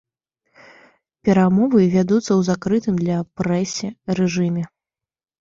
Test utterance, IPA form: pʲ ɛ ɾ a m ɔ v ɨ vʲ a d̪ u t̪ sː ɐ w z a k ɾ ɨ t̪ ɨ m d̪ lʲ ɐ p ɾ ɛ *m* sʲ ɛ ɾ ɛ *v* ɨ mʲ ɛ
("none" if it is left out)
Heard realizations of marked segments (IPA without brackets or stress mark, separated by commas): none, ʐ